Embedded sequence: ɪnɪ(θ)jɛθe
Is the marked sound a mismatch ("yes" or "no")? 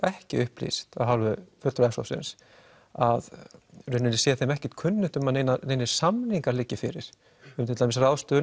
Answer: yes